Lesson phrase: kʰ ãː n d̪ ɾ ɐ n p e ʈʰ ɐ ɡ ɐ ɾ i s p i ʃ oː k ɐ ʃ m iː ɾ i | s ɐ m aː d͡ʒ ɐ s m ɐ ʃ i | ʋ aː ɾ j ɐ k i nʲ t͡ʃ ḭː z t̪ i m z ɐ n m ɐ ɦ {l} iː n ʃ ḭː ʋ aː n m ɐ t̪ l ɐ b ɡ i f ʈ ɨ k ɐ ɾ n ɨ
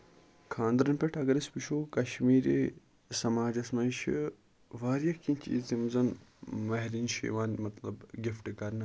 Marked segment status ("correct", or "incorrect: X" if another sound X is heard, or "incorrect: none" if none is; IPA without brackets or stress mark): incorrect: ɾ